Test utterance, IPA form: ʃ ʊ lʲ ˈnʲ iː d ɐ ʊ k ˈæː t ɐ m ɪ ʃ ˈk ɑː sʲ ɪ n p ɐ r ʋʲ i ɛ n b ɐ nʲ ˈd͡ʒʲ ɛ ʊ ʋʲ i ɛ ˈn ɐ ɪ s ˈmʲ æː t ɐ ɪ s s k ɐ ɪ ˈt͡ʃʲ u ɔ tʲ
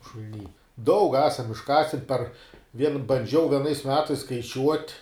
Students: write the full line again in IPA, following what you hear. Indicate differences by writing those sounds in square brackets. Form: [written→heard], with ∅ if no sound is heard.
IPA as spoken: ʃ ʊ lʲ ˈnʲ iː d ɐ ʊ k ˈæː [t→s] ɐ m ɪ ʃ ˈk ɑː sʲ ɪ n p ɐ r ʋʲ i ɛ n b ɐ nʲ ˈd͡ʒʲ ɛ ʊ ʋʲ i ɛ ˈn ɐ ɪ s ˈmʲ æː t ɐ ɪ s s k ɐ ɪ ˈt͡ʃʲ u ɔ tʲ